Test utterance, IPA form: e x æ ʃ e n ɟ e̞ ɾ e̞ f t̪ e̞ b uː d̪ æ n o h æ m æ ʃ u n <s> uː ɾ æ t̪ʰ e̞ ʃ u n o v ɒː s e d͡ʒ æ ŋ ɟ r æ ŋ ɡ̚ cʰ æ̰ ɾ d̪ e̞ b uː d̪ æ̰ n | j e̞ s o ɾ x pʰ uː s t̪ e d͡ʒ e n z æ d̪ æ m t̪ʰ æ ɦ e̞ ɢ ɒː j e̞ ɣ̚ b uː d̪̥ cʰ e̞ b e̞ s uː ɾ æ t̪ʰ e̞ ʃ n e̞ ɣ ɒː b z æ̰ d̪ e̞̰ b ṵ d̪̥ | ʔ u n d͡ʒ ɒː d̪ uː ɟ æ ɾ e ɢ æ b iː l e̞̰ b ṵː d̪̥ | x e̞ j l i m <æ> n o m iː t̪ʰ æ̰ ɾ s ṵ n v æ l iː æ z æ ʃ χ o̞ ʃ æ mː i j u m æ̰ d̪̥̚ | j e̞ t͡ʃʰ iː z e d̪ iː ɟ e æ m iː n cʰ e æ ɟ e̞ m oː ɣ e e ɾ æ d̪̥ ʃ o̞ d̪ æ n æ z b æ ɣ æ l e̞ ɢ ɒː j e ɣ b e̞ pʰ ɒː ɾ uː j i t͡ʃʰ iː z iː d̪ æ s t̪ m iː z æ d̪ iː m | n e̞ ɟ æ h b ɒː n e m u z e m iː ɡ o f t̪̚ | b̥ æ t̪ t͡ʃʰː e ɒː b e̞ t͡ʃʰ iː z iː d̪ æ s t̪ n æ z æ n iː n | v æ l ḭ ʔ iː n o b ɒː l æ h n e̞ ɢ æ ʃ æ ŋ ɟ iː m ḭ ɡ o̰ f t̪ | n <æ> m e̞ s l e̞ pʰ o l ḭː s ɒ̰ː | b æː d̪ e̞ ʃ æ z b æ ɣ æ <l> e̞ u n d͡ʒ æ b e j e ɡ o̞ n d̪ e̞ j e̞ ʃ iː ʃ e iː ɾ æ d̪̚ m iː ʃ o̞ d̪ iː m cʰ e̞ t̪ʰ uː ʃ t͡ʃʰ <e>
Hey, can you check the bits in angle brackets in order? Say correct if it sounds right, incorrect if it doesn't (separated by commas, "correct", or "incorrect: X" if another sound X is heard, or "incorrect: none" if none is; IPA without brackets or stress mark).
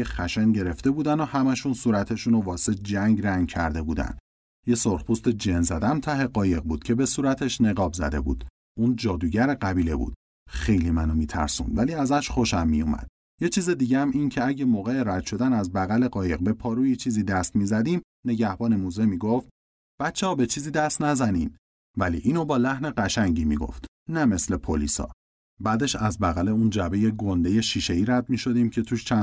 correct, correct, correct, correct, incorrect: æ